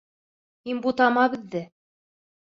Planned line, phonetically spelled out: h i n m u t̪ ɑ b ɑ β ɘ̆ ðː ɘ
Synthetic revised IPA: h i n b u t̪ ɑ m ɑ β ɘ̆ ðː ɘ